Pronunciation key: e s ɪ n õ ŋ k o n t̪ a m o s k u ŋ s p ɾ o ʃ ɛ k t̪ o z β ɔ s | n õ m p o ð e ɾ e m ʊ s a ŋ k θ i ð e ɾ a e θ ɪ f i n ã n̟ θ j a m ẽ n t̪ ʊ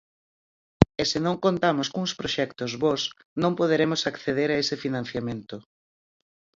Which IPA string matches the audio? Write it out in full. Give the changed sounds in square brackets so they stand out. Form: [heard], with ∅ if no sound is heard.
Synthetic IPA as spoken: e s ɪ n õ ŋ k o n t̪ a m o s k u ŋ s p ɾ o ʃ ɛ k t̪ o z β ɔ s | n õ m p o ð e ɾ e m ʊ s a [∅] k θ [e] ð e ɾ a e [s] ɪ f i n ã n̟ θ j a m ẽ n t̪ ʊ